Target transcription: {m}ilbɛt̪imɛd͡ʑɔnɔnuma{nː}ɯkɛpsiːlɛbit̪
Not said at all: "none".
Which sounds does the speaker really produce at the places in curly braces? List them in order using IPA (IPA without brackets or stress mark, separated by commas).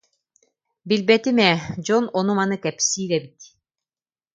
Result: b, n